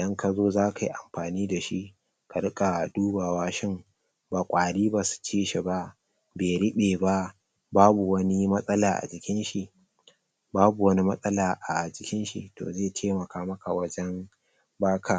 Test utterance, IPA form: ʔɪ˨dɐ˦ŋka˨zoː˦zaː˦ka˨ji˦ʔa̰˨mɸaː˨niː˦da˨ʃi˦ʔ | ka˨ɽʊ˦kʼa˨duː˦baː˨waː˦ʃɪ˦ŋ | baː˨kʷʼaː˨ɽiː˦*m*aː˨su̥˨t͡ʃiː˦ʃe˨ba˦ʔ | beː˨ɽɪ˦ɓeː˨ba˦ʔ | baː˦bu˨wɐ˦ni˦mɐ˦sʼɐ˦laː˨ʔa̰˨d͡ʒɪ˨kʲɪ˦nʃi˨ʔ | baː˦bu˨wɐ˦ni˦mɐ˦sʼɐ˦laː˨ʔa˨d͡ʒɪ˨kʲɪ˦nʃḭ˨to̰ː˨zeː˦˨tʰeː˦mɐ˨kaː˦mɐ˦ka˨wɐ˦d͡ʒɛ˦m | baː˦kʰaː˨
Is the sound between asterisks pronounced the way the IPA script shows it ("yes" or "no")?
no